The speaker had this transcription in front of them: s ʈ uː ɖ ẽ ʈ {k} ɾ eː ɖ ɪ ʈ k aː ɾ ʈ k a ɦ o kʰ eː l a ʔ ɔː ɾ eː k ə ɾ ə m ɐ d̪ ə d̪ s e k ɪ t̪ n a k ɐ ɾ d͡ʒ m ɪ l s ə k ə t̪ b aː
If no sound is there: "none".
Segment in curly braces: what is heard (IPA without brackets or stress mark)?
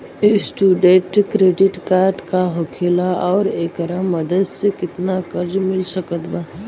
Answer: k